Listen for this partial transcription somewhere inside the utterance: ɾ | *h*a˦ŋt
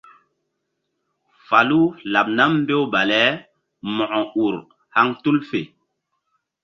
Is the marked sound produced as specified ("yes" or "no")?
yes